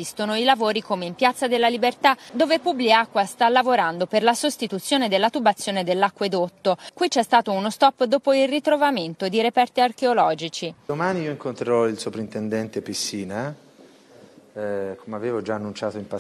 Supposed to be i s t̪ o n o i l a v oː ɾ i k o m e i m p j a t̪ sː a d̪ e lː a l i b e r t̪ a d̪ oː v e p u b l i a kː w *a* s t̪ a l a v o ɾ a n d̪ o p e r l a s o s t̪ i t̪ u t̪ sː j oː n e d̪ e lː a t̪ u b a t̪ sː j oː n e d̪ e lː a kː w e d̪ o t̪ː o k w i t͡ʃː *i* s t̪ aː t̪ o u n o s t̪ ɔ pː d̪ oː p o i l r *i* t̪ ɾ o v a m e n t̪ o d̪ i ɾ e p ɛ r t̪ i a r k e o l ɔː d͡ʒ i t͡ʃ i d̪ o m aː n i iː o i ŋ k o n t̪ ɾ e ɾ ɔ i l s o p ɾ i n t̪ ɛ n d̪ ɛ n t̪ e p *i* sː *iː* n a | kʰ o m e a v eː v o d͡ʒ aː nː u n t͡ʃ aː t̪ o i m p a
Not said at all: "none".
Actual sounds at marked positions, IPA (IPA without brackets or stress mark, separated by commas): a, ɛ, i, i, iː